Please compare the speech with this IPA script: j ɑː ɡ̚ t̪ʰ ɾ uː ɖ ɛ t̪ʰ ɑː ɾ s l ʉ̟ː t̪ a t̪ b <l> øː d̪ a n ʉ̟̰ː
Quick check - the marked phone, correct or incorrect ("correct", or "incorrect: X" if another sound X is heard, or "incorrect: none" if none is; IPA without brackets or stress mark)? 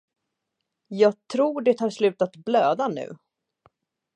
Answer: correct